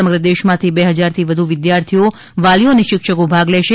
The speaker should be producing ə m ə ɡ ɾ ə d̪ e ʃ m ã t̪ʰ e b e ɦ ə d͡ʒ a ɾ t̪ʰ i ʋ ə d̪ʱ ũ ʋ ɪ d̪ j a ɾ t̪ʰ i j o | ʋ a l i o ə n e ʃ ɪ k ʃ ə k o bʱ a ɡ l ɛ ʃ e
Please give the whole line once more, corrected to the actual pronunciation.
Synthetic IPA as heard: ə m ə ɡ ɾ ə d̪ e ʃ m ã t̪ʰ i b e ɦ ə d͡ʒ a ɾ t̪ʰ i ʋ ə d̪ʱ u ʋ ɪ d̪ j a ɾ t̪ʰ i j o | ʋ a l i o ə n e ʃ ɪ k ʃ ə k o bʱ a ɡ l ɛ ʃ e